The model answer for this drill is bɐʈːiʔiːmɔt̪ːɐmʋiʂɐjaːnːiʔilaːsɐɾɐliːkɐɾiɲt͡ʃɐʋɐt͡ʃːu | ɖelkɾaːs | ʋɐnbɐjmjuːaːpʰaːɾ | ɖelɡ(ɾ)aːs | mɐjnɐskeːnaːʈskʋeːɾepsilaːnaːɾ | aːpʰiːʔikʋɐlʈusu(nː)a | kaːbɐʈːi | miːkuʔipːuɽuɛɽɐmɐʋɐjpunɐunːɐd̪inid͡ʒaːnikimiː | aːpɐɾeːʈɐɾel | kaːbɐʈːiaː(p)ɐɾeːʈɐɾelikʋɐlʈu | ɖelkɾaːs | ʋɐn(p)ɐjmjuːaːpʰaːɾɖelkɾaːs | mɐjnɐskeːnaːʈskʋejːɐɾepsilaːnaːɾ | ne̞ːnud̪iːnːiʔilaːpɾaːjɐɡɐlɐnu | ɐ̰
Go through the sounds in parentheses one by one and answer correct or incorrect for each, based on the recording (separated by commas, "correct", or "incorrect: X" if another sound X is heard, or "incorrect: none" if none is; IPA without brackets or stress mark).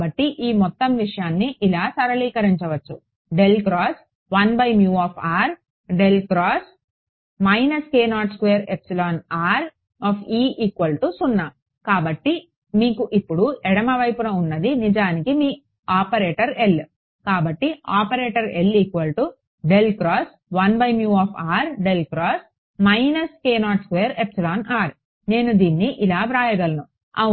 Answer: correct, correct, correct, incorrect: b